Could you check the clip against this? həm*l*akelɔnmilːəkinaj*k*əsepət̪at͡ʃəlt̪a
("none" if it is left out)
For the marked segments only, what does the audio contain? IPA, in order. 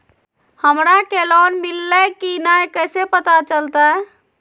ɾ, k

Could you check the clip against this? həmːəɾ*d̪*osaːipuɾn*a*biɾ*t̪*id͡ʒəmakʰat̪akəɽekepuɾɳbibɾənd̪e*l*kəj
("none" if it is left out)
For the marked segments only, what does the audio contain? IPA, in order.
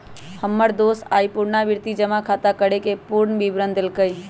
d̪, a, t̪, l

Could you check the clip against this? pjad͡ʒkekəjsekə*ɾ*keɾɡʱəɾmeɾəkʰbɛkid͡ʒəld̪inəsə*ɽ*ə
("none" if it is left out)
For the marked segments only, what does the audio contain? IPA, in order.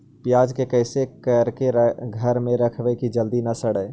ɾ, ɽ

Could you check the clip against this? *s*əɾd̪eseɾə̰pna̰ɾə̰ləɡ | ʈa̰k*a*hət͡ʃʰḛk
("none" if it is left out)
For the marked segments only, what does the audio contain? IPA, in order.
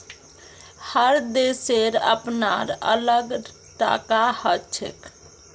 h, a

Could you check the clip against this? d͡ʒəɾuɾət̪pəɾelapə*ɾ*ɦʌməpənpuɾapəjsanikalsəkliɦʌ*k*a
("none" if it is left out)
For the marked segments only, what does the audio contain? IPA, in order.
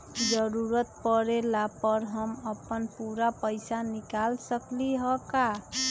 ɾ, k

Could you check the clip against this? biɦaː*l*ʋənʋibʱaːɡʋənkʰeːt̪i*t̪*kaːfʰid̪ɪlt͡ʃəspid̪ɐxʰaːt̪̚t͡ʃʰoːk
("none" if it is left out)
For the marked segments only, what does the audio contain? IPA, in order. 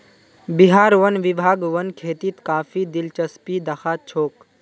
ɾ, t̪

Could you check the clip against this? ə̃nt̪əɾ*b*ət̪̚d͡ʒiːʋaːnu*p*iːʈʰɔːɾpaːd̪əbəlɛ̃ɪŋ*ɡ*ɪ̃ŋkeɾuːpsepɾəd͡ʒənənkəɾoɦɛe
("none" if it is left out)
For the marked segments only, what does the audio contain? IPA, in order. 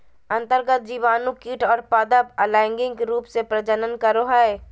ɡ, k, ɡ

